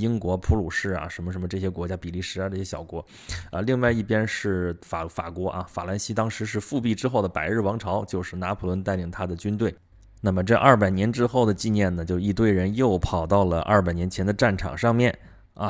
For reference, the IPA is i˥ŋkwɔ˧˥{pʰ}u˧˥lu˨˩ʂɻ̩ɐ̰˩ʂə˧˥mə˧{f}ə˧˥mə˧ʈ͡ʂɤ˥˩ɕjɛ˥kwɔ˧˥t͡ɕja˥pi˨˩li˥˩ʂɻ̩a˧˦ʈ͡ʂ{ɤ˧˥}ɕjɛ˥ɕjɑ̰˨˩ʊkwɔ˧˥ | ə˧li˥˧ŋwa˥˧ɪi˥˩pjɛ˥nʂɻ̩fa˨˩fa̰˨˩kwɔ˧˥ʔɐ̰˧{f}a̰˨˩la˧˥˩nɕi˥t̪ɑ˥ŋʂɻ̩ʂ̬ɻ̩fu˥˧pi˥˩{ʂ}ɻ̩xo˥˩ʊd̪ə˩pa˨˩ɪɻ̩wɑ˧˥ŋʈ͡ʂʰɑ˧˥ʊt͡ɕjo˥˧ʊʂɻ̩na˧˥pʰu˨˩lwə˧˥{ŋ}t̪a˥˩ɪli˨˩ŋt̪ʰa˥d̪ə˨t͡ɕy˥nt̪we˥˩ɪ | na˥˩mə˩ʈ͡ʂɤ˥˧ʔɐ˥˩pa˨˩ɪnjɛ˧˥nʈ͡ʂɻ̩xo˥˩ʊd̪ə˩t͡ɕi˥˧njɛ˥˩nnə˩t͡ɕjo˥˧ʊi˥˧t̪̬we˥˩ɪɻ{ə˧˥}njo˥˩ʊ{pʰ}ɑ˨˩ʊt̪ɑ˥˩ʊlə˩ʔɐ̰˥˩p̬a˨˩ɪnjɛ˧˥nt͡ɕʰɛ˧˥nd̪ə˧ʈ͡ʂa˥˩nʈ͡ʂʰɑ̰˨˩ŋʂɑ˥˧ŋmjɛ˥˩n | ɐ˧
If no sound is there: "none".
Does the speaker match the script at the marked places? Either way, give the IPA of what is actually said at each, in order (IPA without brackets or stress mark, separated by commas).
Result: pʰ, ʂ, ɤ˥˩, f, ʈ͡ʂ, n, ə˧˥, pʰ